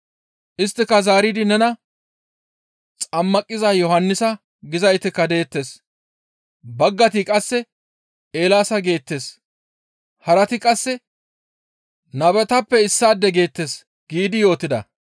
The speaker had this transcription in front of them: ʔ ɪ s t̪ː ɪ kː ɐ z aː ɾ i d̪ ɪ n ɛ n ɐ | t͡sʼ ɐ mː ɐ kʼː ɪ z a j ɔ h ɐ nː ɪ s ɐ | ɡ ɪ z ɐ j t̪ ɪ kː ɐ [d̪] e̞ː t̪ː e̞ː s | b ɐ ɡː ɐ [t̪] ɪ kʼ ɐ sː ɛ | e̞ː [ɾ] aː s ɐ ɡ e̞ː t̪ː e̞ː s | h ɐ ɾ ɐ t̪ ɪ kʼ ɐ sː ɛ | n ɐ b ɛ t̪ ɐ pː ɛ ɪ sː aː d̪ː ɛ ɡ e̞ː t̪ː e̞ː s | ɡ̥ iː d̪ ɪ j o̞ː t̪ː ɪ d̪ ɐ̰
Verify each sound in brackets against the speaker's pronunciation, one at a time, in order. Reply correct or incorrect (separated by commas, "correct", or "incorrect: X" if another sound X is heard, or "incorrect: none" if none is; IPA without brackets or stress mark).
correct, correct, incorrect: l